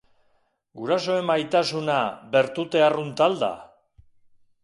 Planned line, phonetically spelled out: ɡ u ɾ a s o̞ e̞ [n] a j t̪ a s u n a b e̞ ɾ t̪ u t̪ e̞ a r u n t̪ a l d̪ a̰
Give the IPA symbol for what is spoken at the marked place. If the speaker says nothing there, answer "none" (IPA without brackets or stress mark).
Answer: m